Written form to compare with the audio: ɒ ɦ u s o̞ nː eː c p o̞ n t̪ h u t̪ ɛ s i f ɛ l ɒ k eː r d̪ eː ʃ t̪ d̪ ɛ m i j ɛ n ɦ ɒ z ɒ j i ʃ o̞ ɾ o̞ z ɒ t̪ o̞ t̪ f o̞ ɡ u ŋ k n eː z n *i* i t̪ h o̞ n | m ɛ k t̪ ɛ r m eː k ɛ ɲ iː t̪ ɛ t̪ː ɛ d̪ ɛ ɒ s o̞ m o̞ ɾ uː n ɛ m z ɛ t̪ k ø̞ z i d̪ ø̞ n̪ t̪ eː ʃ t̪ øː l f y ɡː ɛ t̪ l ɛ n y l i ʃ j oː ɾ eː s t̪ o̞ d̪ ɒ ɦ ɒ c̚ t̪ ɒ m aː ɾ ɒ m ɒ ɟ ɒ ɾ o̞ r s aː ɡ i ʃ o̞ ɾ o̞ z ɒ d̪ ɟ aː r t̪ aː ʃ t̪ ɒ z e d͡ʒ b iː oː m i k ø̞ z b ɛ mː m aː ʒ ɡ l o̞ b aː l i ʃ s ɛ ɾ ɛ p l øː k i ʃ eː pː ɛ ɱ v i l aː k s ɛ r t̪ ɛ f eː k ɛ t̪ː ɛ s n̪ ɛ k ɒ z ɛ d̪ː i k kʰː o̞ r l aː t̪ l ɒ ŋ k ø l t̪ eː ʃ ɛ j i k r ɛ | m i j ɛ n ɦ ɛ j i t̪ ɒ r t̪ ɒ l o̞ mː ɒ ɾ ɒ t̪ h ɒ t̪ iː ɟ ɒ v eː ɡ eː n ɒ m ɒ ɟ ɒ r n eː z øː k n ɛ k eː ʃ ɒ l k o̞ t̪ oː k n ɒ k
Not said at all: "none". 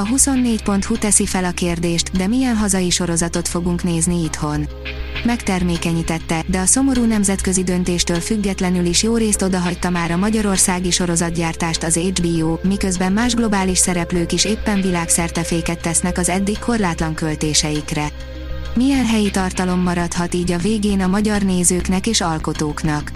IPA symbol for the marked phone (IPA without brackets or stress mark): i